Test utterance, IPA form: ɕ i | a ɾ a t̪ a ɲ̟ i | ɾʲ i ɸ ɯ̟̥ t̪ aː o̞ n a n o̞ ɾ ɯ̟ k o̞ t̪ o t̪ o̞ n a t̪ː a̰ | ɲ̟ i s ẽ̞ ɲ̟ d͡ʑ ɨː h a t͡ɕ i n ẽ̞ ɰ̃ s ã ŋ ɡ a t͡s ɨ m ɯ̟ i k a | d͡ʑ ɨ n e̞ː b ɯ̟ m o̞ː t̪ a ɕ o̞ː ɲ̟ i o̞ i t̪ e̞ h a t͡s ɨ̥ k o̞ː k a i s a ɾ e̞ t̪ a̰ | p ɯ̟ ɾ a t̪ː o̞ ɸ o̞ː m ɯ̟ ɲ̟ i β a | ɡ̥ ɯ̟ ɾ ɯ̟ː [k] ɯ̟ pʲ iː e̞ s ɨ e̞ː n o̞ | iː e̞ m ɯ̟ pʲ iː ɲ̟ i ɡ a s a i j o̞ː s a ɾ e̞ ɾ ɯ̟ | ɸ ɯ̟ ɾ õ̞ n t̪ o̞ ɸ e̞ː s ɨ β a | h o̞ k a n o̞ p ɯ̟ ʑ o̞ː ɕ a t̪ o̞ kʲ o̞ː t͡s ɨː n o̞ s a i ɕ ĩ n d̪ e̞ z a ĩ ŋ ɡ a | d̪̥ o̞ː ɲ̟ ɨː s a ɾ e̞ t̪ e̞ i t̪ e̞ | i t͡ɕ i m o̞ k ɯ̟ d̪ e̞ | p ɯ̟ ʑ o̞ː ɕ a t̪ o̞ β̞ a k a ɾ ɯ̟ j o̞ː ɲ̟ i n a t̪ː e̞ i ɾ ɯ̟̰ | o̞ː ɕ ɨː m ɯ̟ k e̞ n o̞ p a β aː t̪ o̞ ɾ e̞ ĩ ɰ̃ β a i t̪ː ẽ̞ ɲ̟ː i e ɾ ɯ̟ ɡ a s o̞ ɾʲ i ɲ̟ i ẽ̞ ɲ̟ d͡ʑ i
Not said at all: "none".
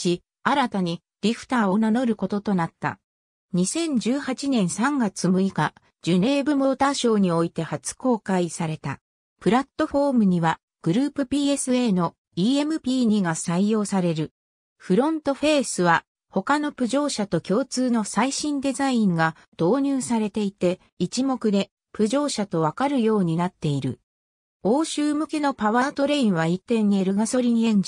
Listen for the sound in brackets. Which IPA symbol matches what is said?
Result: p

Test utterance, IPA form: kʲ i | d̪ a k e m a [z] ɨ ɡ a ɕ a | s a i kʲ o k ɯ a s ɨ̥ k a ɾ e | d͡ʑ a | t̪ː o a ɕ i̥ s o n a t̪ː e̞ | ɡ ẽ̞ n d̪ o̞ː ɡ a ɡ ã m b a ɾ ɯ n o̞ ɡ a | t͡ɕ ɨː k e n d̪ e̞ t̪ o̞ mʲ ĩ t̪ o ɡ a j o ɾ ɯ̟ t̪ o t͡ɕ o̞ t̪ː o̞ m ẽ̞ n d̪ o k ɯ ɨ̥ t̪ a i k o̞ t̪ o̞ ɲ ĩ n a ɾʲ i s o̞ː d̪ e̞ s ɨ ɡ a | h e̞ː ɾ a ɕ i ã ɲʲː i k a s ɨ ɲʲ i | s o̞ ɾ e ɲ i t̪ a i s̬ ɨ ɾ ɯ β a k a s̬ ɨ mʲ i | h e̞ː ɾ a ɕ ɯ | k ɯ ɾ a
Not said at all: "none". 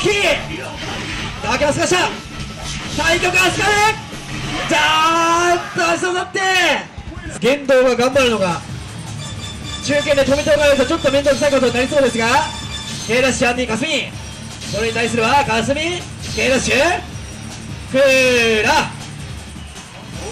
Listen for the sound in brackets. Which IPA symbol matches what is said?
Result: s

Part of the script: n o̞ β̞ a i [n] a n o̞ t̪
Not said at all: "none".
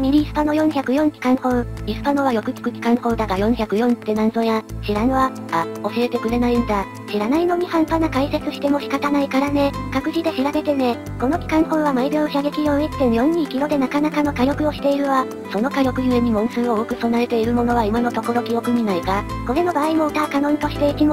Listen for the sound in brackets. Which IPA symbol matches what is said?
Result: m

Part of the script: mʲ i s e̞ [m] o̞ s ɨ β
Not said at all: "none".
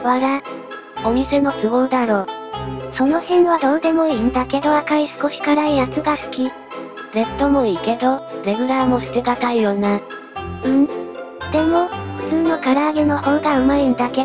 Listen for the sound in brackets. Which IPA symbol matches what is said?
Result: n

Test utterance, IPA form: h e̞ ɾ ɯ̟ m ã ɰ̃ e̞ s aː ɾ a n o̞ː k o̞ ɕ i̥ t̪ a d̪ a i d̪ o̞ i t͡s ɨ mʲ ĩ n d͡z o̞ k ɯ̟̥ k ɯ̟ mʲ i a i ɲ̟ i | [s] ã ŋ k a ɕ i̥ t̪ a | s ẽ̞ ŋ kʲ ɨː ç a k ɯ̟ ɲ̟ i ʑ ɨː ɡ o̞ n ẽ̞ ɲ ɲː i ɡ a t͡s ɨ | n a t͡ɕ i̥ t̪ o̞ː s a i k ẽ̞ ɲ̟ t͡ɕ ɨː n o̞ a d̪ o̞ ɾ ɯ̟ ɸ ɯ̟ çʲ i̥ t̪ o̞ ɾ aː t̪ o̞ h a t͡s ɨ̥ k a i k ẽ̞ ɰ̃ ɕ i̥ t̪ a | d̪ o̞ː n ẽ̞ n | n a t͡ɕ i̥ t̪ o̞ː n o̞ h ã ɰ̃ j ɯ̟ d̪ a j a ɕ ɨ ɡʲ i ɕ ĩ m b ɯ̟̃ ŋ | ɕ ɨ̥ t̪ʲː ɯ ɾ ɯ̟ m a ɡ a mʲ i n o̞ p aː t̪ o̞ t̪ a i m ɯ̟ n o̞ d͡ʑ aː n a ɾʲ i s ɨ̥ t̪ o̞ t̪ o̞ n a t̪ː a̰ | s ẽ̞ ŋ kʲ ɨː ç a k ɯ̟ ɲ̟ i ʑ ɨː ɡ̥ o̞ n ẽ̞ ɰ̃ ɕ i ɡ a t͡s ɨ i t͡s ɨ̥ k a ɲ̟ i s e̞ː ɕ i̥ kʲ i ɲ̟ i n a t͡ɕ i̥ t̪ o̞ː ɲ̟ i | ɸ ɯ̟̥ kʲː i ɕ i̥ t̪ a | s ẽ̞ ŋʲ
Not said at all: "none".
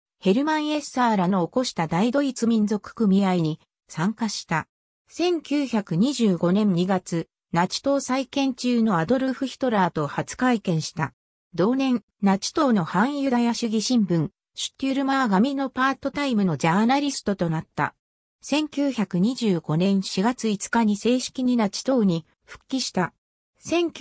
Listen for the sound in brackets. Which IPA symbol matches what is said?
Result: s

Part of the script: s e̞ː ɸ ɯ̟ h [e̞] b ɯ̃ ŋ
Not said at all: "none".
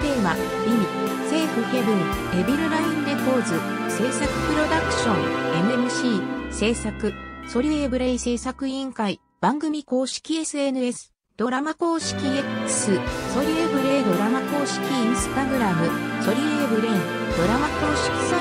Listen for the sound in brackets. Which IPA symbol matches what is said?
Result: e̞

